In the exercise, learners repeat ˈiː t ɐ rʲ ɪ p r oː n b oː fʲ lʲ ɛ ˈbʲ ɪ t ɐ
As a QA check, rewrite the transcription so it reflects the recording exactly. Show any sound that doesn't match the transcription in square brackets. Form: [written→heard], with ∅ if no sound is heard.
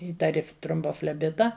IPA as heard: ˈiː t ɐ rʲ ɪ [p→t] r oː [n→m] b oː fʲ lʲ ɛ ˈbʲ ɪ t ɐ